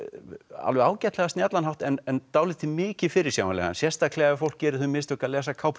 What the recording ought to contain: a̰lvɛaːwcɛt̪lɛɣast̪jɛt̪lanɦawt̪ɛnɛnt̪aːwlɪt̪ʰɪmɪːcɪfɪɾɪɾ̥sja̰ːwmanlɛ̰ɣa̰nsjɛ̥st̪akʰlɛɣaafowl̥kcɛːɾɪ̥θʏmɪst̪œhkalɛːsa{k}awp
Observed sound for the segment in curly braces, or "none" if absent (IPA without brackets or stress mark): kʰ